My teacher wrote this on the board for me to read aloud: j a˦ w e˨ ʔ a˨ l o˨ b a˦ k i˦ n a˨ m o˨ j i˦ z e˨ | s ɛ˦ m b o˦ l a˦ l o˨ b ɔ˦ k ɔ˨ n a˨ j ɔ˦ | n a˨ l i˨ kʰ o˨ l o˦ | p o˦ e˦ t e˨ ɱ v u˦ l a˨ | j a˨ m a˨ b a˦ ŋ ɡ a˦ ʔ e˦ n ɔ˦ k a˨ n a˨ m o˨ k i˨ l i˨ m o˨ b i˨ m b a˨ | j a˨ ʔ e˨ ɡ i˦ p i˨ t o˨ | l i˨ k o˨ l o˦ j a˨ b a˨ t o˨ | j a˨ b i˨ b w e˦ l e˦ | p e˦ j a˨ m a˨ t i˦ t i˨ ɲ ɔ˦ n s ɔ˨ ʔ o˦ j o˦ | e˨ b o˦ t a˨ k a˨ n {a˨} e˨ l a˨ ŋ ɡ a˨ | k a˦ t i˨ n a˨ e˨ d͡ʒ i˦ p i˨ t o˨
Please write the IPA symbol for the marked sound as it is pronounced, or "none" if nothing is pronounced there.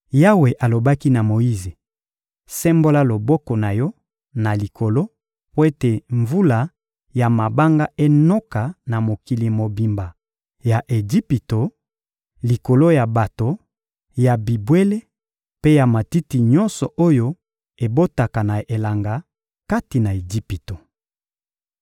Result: a˨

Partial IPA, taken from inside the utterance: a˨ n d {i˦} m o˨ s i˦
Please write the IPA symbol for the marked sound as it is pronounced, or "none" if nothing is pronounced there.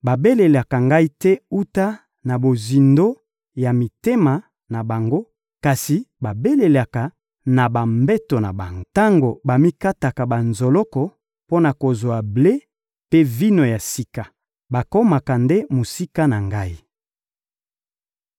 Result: e˦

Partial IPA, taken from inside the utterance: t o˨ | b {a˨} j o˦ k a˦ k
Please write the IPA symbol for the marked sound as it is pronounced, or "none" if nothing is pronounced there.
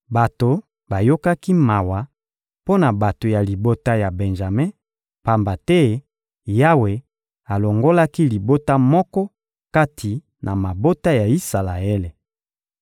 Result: a˨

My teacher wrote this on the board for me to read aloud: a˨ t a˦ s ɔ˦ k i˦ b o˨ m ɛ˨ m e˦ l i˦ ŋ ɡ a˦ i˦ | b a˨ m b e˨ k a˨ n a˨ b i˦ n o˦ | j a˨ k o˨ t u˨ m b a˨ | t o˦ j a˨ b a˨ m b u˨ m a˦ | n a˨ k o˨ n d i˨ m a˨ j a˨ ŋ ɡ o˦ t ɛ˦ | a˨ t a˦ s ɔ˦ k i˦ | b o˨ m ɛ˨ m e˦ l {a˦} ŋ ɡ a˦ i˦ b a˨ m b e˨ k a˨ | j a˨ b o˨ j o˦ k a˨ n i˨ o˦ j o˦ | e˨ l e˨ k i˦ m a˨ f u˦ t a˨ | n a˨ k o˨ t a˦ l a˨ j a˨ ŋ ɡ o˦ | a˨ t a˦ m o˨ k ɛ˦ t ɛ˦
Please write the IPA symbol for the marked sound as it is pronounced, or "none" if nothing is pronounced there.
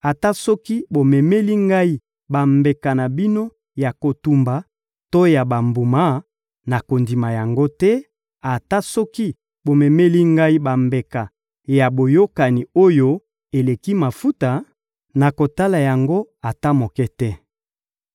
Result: i˦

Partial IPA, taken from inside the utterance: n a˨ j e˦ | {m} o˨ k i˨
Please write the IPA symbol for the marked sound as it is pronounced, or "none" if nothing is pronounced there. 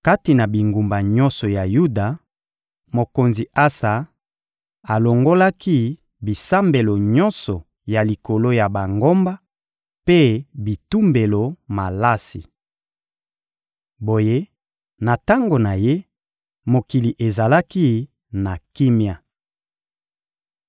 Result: m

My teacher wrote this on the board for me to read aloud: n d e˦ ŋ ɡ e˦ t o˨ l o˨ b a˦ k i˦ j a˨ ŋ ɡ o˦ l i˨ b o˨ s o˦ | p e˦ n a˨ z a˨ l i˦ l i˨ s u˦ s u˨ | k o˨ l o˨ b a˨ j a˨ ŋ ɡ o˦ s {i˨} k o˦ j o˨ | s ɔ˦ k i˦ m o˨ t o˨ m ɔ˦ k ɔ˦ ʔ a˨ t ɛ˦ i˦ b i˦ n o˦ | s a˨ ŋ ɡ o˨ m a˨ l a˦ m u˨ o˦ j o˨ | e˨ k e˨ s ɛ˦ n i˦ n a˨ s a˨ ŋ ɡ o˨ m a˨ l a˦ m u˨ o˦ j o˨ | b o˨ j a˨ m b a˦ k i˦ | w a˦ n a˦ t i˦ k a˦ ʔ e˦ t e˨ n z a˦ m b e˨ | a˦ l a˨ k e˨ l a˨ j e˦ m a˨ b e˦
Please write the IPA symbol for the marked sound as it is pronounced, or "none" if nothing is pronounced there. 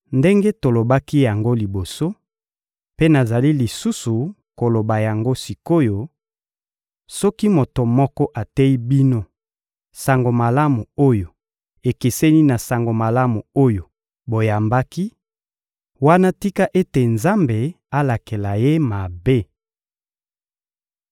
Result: i˨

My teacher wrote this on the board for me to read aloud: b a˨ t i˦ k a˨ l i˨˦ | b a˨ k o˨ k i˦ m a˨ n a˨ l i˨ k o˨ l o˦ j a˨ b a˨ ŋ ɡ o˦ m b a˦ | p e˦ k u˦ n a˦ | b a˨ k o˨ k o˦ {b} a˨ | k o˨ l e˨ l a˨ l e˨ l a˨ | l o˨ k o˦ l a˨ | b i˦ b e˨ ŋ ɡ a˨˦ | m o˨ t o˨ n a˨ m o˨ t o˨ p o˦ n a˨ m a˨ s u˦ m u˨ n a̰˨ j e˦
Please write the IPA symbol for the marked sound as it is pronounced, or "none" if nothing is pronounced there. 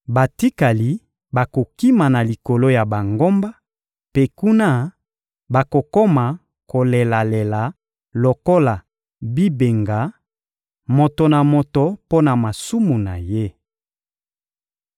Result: m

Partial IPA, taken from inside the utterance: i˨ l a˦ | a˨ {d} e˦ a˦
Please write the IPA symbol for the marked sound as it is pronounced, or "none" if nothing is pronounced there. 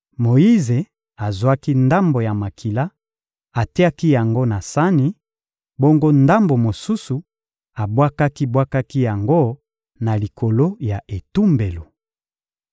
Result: t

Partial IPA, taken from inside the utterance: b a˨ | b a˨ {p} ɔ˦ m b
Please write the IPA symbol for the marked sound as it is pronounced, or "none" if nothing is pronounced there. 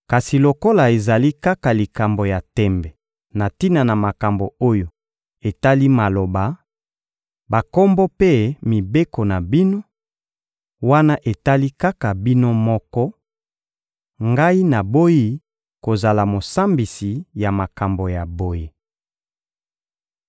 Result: k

